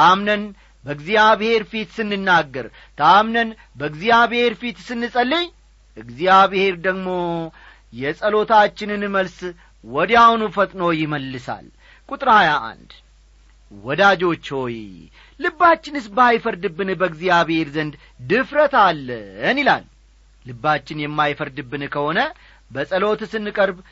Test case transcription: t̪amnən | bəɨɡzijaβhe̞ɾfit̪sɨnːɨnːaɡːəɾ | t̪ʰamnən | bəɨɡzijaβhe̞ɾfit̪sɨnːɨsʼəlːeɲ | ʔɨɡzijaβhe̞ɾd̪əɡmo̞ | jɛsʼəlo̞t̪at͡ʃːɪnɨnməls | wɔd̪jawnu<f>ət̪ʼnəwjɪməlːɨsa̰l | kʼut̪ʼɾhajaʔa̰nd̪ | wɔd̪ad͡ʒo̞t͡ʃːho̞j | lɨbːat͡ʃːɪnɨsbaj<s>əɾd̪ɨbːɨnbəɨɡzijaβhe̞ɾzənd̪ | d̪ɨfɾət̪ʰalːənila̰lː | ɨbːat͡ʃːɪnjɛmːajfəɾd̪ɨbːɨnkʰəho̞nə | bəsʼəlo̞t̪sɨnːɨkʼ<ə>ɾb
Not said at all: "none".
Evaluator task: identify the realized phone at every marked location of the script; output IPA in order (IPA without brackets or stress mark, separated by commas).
f, f, ə